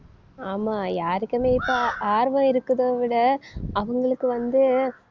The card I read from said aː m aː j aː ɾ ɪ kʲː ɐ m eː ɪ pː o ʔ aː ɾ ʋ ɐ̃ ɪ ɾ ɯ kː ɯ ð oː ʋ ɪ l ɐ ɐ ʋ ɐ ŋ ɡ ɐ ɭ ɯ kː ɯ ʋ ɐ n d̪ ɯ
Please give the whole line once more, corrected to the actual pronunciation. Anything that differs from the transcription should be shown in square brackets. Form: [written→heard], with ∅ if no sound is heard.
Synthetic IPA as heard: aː m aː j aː ɾ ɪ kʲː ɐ m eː ɪ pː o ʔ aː ɾ ʋ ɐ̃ ɪ ɾ ɯ kː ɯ ð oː ʋ ɪ [l→ɽ] ɐ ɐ ʋ ɐ ŋ ɡ ɐ ɭ ɯ kː ɯ ʋ ɐ n d̪ ɯ